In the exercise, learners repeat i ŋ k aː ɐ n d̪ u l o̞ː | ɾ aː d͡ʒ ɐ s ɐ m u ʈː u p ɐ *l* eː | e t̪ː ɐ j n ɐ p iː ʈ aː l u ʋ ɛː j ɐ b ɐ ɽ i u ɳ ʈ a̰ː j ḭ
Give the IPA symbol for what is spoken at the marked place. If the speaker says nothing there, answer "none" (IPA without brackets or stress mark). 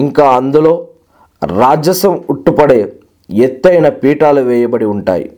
ɽ